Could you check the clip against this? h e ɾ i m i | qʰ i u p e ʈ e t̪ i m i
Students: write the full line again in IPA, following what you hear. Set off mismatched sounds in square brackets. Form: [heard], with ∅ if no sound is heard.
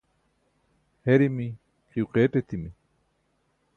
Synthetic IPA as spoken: h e ɾ i m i | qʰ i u [q] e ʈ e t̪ i m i

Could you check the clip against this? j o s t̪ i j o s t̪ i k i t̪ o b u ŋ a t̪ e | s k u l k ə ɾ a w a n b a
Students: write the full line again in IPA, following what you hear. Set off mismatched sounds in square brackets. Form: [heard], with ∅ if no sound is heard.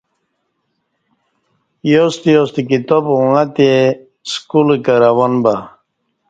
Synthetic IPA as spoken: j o s t̪ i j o s t̪ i k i t̪ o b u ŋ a t̪ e | s k u l k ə ɾ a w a n b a

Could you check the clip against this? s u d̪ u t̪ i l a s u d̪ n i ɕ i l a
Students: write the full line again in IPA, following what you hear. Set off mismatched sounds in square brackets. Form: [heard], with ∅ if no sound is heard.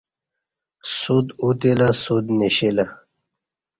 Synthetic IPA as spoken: s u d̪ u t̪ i l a s u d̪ n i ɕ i l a

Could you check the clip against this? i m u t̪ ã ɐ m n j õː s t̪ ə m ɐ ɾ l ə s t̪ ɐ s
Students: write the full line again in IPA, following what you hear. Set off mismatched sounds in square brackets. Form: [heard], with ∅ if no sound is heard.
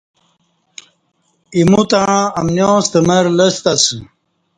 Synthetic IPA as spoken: i m u t̪ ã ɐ m n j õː s t̪ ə m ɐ ɾ l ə s t̪ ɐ s

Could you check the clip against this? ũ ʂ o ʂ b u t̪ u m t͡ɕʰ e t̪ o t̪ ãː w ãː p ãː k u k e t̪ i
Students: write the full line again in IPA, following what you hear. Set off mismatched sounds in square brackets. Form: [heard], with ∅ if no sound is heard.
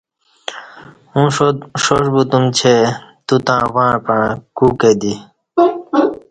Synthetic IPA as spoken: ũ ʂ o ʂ b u t̪ u m t͡ɕʰ e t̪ [u] t̪ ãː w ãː p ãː k u k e [d̪] i

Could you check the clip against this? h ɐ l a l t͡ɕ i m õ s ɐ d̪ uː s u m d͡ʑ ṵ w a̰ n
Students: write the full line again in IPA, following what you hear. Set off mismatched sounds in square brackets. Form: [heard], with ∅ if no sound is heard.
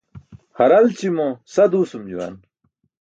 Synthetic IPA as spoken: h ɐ [ɾ] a l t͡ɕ i m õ s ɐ d̪ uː s u m d͡ʑ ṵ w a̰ n

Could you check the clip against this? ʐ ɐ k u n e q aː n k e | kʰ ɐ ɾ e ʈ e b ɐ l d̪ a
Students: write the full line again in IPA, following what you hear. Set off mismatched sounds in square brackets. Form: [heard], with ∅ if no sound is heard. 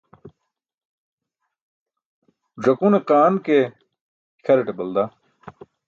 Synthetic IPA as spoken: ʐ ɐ k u n e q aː n k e | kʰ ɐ ɾ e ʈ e b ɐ l d̪ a

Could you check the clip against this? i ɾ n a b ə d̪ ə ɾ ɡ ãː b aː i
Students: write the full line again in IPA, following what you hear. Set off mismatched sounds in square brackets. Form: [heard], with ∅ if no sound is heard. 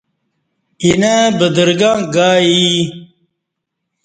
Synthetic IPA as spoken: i [∅] n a b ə d̪ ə ɾ ɡ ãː [ɡ] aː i

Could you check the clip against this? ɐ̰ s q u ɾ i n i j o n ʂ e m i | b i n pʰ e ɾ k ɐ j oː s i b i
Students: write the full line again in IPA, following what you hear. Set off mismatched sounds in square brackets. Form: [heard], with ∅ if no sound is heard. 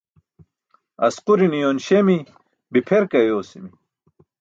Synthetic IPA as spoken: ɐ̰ s q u ɾ i n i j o n [ɕ] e m i | b i [∅] pʰ e ɾ k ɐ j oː s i [m] i

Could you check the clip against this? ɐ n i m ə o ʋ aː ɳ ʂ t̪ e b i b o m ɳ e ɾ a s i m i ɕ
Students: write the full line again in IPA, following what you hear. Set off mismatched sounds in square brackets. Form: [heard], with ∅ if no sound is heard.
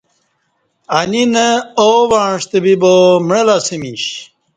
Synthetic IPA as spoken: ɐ n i [n] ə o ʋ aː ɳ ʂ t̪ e b i b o m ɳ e [l] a s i m i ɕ

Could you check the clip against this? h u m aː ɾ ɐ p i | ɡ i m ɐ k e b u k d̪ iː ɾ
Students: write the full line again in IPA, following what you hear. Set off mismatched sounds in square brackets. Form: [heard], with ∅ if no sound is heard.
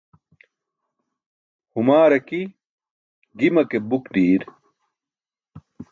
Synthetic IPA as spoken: h u m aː ɾ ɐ [k] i | ɡ i m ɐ k e b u k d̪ iː ɾ

